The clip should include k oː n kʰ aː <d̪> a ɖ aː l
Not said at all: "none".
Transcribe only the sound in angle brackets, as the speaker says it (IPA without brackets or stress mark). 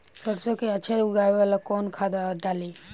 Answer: d̪